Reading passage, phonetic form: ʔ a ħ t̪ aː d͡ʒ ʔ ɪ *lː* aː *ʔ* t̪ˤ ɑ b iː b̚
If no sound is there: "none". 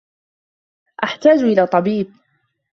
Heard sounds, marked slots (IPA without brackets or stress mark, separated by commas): l, none